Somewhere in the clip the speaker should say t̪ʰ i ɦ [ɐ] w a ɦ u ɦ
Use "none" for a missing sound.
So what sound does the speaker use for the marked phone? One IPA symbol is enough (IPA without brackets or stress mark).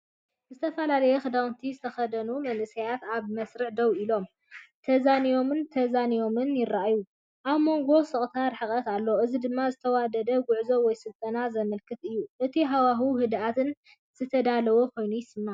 a